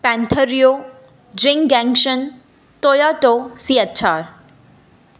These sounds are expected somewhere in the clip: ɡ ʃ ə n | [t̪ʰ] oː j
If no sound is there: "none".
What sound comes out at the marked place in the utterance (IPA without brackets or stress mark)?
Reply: t̪